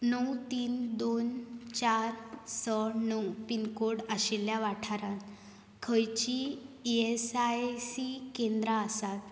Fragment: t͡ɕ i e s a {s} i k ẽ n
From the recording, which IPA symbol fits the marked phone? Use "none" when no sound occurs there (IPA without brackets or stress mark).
s